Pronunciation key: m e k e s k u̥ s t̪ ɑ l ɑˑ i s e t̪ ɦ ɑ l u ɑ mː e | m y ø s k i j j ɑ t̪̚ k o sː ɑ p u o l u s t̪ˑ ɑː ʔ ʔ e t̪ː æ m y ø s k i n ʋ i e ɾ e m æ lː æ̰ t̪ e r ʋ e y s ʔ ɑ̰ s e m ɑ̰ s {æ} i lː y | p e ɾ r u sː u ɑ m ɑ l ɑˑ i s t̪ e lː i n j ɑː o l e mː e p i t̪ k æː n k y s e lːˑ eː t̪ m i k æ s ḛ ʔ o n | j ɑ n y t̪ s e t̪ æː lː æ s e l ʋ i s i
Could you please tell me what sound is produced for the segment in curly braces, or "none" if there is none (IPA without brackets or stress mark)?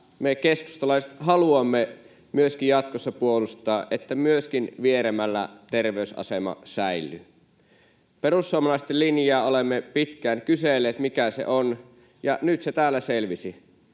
æ